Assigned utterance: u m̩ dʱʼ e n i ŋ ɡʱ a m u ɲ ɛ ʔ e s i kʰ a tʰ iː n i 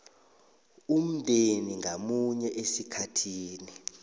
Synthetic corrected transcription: u m̩ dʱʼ e n i ŋ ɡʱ a m u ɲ ɛ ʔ e s i kʰ a tʰ iː n i